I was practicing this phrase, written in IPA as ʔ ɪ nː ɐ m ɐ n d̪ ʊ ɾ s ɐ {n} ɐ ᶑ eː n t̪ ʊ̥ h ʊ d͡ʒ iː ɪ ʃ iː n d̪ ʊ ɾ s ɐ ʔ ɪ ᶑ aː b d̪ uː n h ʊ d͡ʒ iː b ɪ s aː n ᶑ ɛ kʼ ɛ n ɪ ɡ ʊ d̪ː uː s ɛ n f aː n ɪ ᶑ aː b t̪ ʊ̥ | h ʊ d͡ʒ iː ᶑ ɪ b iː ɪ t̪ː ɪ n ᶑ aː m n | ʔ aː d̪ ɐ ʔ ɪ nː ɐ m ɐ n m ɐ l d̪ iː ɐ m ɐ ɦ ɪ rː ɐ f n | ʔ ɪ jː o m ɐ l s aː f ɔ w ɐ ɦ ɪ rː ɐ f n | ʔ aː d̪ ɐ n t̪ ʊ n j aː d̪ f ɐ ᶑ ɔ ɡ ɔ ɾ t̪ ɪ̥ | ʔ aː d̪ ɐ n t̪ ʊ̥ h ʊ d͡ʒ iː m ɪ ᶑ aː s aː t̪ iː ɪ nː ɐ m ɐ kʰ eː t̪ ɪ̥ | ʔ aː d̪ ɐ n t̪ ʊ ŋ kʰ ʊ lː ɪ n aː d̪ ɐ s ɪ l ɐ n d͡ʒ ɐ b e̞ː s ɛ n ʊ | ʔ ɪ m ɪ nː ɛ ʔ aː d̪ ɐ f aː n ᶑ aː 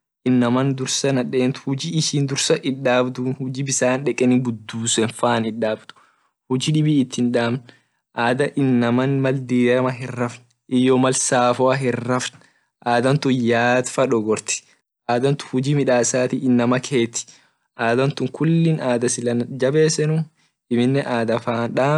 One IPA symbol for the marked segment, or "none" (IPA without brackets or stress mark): n